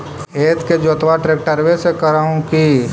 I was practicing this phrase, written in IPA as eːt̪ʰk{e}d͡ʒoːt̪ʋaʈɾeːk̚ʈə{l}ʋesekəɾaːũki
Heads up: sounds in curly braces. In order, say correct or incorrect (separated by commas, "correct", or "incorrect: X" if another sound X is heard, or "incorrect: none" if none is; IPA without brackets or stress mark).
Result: correct, incorrect: ɾ